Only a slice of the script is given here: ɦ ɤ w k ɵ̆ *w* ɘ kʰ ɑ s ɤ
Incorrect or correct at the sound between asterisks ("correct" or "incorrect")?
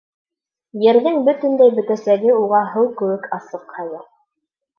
correct